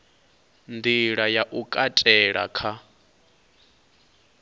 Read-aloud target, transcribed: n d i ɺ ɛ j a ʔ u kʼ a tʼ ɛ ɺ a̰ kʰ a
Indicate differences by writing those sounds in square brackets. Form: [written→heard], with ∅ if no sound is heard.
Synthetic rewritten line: n d i ɺ [ɛ→a] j a ʔ u kʼ a tʼ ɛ ɺ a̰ kʰ a